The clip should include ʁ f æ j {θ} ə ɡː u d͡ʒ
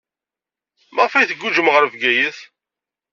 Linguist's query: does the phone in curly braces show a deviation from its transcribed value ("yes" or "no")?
no